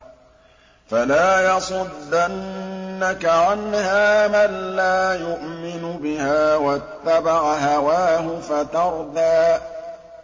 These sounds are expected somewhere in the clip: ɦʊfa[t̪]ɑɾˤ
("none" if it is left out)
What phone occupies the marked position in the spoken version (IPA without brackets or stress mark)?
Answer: t̪